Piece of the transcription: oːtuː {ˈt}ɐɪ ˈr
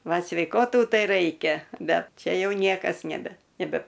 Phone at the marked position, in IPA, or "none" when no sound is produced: t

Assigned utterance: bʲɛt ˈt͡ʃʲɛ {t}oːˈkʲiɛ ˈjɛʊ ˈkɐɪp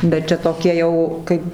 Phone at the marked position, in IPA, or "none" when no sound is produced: t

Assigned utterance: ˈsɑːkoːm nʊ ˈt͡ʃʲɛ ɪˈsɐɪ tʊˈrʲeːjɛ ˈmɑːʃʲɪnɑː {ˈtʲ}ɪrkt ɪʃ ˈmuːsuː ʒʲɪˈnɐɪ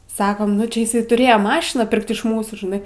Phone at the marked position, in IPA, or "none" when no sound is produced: pʲ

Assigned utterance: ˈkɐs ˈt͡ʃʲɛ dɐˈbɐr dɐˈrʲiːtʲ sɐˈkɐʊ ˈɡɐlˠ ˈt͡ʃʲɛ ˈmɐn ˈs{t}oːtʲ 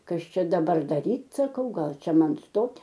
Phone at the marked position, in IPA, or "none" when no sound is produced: t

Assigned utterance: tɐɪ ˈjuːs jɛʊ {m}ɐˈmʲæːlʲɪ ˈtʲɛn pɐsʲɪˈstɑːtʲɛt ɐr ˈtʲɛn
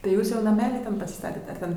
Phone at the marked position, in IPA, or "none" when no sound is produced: n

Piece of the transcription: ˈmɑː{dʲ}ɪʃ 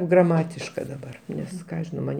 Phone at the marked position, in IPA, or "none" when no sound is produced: tʲ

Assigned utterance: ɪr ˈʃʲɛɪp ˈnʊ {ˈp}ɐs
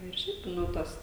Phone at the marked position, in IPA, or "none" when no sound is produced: t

